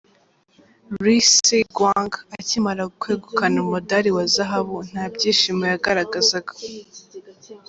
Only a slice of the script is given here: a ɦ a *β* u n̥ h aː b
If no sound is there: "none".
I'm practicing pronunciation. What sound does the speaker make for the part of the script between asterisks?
β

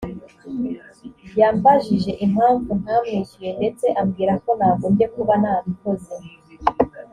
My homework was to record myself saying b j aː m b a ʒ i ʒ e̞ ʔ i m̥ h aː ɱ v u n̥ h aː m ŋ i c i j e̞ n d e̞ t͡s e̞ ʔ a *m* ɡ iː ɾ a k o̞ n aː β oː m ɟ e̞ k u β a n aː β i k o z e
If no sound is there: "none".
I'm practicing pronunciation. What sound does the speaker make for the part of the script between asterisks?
m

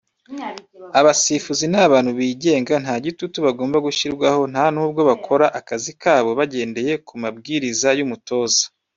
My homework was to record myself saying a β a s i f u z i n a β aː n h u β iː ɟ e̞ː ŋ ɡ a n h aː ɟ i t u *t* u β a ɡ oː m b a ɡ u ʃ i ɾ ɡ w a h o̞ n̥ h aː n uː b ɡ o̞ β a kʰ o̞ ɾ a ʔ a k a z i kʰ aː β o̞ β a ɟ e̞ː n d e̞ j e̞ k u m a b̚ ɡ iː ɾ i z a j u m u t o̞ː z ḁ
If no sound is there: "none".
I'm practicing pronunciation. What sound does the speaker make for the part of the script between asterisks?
t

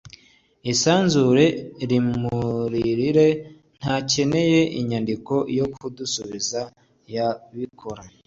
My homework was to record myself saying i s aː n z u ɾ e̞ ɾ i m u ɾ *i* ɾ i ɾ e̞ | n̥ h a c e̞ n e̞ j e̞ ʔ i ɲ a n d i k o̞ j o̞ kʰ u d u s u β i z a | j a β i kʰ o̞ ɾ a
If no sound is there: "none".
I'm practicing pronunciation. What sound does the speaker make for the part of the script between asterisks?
i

